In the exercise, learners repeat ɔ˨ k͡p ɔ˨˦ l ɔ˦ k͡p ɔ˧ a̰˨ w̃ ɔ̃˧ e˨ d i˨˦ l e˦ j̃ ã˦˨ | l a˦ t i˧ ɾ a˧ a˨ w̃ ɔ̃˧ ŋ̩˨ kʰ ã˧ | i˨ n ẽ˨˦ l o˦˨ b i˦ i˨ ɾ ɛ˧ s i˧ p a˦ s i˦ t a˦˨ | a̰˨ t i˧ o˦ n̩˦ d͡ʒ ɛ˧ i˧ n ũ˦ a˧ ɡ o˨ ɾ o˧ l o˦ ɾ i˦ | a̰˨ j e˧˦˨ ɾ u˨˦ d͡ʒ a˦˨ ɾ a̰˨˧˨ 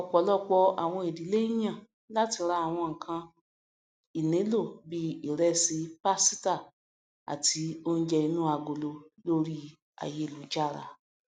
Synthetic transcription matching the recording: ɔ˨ k͡p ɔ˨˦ l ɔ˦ k͡p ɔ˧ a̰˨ w̃ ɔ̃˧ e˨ d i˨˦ l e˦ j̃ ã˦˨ | l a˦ t i˧ ɾ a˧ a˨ w̃ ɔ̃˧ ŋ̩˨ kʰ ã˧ | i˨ n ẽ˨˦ l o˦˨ b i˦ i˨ ɾ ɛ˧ s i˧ p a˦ s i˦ t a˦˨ | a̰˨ t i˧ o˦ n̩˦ d͡ʒ ɛ˧ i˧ n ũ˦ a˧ ɡ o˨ l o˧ l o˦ ɾ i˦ | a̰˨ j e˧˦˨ l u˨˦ d͡ʒ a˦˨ ɾ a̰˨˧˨